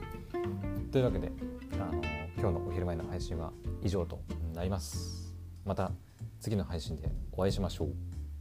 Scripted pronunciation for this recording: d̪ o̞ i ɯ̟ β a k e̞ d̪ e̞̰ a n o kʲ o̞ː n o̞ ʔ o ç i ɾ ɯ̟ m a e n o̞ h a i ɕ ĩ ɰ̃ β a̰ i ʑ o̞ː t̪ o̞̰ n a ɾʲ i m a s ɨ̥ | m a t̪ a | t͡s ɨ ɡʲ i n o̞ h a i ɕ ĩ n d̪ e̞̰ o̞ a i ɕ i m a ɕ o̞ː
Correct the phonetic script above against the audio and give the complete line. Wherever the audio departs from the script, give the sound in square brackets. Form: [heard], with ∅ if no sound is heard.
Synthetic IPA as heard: [t̪] o̞ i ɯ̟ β a k e̞ d̪ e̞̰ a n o kʲ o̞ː n o̞ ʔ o ç i ɾ ɯ̟ m a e n o̞ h a i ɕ ĩ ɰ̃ β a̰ i ʑ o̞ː t̪ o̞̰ n a ɾʲ i m a s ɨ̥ | m a t̪ a | t͡s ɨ ɡʲ i n o̞ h a i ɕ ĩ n d̪ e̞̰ o̞ a i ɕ i m a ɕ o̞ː